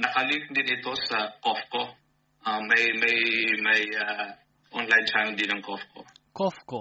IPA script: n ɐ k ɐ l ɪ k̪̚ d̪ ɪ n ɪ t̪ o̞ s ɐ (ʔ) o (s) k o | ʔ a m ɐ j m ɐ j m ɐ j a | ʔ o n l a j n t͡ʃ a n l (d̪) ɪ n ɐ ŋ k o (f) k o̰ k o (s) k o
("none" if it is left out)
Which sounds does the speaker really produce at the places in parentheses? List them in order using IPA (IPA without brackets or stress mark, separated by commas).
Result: k, f, d̪, f, f